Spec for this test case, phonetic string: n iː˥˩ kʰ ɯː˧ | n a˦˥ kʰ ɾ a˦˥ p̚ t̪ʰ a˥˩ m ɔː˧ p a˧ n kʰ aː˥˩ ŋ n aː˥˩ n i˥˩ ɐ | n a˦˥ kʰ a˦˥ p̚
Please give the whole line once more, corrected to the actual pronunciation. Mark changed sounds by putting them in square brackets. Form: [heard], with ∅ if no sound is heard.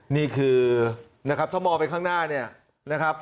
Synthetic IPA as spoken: n iː˥˩ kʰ ɯː˧ | n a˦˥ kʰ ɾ a˦˥ p̚ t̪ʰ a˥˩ m ɔː˧ p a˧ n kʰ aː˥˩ ŋ n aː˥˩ n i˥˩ ɐ | n a˦˥ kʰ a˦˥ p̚